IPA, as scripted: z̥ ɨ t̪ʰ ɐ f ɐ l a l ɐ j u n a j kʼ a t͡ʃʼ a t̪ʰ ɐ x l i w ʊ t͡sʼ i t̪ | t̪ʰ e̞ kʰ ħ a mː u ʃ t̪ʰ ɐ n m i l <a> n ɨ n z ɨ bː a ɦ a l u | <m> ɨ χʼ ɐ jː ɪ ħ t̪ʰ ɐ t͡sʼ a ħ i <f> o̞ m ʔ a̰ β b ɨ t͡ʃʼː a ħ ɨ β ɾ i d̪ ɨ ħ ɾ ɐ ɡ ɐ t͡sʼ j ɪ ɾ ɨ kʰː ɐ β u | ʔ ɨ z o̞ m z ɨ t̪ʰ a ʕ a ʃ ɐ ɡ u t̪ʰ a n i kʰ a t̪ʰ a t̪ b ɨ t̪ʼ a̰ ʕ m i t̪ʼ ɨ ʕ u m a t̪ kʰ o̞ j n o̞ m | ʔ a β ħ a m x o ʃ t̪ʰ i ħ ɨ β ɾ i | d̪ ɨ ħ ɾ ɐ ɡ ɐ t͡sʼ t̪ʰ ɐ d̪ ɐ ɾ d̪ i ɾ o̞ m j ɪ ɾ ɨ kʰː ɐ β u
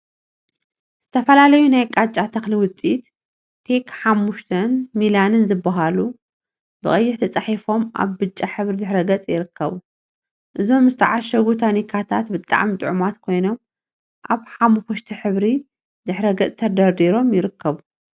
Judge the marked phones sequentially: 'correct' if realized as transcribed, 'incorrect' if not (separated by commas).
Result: correct, incorrect, correct